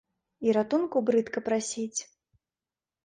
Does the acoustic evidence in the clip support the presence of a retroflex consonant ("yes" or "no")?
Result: no